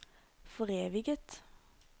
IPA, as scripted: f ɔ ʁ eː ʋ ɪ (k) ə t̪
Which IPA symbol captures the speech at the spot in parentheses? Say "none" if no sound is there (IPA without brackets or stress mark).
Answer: ɡ